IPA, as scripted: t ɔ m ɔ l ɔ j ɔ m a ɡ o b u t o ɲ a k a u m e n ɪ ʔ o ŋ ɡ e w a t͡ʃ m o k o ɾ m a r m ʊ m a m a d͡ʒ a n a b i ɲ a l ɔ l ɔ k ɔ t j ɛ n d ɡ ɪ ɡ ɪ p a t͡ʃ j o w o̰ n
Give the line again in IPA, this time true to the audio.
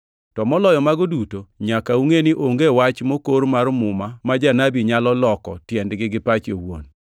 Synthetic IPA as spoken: t ɔ m ɔ l ɔ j ɔ m a ɡ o d u t o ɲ a k a u ŋ e n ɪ ʔ o ŋ ɡ e w a t͡ʃ m o k o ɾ m a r m ʊ m a m a d͡ʒ a n a b i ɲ a l ɔ l ɔ k ɔ t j ɛ n d ɡ ɪ ɡ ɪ p a t͡ʃ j o w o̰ n